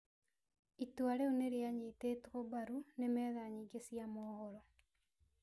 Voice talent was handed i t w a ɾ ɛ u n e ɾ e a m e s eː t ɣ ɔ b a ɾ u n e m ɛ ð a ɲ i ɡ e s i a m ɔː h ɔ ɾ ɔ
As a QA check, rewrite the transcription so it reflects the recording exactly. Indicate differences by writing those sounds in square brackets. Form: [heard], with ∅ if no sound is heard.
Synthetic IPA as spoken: i t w a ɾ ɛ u n e ɾ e a [ɲ] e [t] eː t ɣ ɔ b a ɾ u n e m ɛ ð a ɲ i ɡ e s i a m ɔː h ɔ ɾ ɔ